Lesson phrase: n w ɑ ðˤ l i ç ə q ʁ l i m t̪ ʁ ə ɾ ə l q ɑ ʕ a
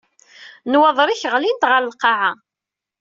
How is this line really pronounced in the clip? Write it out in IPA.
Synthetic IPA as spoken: n w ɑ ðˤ ɾ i ç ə ʁ l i n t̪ ʁ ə ɾ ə l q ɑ ʕ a